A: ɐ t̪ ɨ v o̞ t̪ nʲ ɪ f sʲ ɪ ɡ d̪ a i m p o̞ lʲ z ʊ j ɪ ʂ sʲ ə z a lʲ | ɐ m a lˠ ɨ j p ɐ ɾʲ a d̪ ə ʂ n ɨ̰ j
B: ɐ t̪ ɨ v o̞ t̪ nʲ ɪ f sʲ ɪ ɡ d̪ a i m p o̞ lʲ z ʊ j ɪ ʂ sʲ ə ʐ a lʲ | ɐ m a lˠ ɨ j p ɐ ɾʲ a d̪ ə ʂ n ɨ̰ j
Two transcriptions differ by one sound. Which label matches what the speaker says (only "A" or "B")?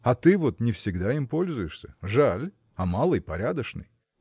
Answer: B